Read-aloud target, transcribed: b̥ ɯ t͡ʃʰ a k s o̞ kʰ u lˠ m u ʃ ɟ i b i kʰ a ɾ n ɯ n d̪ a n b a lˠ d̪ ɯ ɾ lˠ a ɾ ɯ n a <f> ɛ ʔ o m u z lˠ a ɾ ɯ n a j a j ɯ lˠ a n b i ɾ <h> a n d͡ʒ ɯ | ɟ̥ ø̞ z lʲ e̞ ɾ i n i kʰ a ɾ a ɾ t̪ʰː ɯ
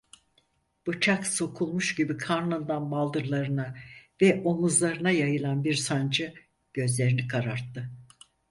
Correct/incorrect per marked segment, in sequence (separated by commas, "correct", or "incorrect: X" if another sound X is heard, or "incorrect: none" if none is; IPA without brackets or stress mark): incorrect: v, incorrect: s